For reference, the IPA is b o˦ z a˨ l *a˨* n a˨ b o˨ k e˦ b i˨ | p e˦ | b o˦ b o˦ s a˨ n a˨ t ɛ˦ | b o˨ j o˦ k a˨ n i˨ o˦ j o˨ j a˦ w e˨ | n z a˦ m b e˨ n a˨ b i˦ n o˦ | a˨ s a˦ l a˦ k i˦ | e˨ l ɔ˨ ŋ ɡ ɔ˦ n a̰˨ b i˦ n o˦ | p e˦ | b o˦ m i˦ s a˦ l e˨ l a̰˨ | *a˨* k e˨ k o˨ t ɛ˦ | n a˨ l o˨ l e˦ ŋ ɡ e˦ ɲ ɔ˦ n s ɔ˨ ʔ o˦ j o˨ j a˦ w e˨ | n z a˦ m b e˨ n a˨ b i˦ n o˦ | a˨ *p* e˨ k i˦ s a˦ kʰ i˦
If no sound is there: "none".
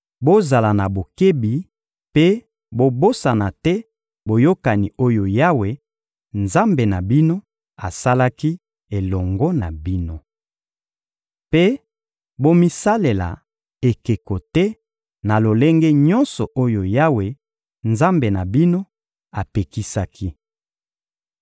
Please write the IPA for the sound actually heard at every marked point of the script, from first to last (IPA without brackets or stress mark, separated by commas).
a˨, e˨, p